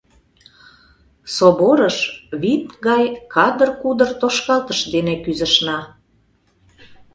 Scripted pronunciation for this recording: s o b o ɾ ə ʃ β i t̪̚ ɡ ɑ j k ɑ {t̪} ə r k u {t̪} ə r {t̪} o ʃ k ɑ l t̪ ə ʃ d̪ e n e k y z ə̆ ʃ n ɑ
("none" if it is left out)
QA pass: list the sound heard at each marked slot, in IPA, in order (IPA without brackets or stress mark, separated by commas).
d̪, d̪, t̪